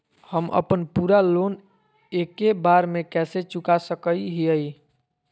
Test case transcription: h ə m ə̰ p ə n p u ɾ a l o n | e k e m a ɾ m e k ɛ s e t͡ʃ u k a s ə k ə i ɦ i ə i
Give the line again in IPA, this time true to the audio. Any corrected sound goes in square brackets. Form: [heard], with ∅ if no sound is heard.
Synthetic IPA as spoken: h ə m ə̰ p ə n p u ɾ a l o n | e k e [b] a ɾ m e k ɛ s e t͡ʃ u k a s ə k ə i ɦ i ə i